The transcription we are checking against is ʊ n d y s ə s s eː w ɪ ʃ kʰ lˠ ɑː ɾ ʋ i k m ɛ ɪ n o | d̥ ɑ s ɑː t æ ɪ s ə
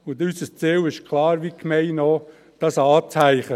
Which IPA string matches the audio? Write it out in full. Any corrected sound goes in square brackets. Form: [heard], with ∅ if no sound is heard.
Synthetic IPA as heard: ʊ n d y s ə s [t͡s] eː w ɪ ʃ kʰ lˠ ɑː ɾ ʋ i k m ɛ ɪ n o | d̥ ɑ s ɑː [t͡s] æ ɪ [χ] ə